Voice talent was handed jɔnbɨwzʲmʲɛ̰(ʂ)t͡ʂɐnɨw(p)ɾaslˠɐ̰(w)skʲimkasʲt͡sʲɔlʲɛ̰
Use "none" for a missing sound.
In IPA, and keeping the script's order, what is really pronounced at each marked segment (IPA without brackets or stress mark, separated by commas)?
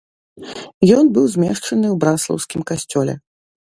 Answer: ʂ, b, w